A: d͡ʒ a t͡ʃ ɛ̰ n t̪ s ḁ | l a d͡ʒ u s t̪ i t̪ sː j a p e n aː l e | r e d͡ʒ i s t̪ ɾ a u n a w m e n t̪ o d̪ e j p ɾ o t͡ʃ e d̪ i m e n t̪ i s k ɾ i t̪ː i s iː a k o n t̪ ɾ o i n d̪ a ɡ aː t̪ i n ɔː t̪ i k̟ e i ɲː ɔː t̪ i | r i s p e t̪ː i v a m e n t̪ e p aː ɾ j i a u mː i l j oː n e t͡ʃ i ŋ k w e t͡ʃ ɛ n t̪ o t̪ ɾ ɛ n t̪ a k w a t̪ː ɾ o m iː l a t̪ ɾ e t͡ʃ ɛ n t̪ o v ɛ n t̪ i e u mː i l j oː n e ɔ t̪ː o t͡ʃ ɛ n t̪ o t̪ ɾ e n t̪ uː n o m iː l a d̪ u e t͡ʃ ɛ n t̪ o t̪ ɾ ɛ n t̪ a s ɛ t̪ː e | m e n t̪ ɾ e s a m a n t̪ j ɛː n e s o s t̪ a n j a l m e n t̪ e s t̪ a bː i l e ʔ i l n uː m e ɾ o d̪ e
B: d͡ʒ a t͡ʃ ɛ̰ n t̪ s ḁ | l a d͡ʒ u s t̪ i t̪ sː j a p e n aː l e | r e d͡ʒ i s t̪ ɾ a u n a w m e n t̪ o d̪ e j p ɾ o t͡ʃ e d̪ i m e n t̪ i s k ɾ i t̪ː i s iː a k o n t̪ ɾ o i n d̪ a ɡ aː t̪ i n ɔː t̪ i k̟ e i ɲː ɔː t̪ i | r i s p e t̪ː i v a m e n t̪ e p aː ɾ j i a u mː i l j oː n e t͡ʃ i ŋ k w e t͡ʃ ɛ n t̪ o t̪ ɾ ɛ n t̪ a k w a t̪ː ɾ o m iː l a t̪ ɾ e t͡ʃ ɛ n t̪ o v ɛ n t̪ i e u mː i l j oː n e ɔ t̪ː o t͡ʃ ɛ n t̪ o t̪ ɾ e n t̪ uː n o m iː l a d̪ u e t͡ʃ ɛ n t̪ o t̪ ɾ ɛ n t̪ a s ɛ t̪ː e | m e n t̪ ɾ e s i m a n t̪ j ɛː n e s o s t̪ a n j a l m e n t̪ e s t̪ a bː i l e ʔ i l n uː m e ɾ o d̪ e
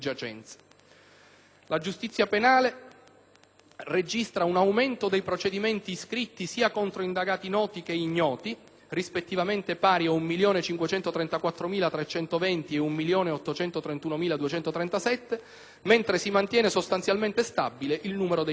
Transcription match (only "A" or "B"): B